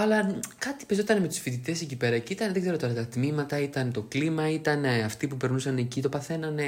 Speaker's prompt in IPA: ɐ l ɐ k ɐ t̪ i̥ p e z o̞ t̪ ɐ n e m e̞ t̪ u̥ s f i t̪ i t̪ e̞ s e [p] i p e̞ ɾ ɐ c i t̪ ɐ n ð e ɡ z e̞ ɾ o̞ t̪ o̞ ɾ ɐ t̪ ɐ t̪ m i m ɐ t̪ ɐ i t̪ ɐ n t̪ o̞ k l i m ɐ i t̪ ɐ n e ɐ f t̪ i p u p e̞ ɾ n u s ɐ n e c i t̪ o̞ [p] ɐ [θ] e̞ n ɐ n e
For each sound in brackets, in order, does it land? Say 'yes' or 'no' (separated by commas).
no, yes, yes